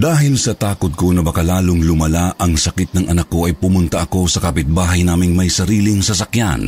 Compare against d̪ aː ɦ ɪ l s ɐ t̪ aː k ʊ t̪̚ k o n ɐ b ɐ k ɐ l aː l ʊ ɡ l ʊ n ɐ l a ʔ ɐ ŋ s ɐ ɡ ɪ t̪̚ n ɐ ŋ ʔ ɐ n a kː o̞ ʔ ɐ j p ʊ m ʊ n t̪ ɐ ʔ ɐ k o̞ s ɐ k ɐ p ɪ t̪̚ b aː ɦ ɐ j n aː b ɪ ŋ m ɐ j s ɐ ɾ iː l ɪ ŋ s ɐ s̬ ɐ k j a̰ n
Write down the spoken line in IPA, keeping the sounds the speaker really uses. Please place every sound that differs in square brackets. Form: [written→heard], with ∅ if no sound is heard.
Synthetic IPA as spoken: d̪ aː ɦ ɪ l s ɐ t̪ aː k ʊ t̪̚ k o n ɐ b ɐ k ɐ l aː l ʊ [ɡ→ŋ] l ʊ [n→m] ɐ l a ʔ ɐ ŋ s ɐ [ɡ→k] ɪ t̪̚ n ɐ ŋ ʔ ɐ n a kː o̞ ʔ ɐ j p ʊ m ʊ n t̪ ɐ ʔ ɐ k o̞ s ɐ k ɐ p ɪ t̪̚ b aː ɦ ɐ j n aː [b→m] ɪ ŋ m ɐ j s ɐ ɾ iː l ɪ ŋ s ɐ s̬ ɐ k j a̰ n